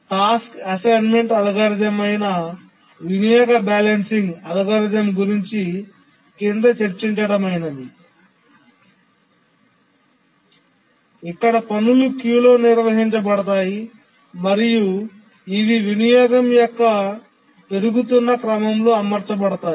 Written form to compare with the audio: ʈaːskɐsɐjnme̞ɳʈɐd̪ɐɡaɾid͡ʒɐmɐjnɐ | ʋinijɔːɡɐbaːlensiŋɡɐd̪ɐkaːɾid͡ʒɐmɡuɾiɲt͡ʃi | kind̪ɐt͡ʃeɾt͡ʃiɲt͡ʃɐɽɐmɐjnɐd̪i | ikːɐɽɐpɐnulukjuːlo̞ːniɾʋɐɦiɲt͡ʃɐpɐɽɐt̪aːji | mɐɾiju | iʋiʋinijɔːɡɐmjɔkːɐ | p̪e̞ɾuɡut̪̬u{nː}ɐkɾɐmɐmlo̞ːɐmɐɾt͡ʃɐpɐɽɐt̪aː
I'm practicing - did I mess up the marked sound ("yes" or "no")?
no